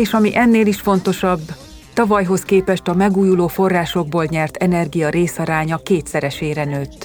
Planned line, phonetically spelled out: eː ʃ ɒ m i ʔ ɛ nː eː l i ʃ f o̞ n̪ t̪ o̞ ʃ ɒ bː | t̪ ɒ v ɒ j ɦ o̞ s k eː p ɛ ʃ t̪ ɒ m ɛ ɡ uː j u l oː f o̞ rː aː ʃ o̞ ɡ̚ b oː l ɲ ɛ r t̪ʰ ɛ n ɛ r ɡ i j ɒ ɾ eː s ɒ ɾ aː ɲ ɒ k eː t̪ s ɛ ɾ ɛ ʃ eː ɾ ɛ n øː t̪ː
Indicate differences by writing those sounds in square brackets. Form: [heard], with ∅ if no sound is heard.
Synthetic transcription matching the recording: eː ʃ ɒ m i ʔ ɛ nː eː l i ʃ f o̞ n̪ t̪ o̞ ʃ ɒ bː | t̪ ɒ v ɒ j ɦ o̞ s k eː p ɛ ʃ t̪ ɒ m ɛ ɡ uː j u l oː f o̞ rː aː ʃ o̞ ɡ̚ b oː l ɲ ɛ r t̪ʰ ɛ n ɛ r ɡ i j ɒ ɾ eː s ɒ ɾ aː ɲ ɒ k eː t̪ s ɛ ɾ ɛ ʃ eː ɾ ɛ n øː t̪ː